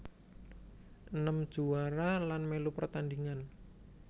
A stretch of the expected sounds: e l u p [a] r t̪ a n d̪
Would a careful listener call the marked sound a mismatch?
yes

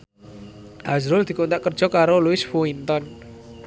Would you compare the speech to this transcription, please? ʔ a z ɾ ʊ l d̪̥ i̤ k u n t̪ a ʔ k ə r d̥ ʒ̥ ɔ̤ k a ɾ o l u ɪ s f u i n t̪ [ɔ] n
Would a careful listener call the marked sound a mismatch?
no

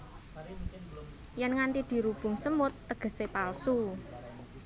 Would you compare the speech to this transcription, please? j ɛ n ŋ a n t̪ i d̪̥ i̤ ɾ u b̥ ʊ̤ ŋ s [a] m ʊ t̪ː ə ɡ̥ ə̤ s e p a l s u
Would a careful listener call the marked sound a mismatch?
yes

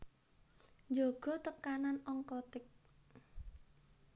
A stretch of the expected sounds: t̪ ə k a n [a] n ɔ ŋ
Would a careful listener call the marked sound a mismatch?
no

